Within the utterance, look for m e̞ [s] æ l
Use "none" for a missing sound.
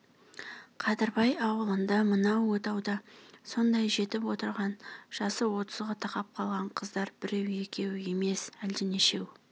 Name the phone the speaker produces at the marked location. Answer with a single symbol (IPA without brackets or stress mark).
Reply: s